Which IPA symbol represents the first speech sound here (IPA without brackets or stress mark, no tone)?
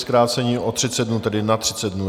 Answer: s